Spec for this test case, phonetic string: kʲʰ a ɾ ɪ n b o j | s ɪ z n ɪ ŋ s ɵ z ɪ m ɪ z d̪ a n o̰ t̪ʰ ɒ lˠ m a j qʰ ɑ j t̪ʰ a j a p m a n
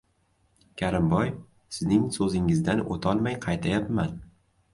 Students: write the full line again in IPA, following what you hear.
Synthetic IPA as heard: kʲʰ a ɾ ɪ m b ɒ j | s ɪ z n ɪ ŋ s ɵ z ɪ ŋ ɪ z d̪ a n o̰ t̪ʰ ɒ lˠ m a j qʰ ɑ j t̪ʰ a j a p m a n